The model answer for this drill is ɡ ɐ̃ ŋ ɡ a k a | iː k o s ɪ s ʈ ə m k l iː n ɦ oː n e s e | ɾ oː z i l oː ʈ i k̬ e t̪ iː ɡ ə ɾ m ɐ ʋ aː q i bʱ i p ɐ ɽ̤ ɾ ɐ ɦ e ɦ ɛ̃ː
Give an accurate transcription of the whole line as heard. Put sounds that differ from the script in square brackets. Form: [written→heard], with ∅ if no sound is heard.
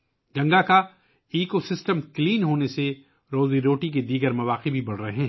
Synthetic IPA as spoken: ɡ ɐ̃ ŋ ɡ a k a | iː k o s ɪ s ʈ ə m k l iː n ɦ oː n e s e | ɾ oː z i [l→ɾ] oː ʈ i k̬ e [t̪→d̪] iː ɡ ə ɾ m ɐ ʋ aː q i bʱ i [p→b] ɐ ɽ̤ ɾ ɐ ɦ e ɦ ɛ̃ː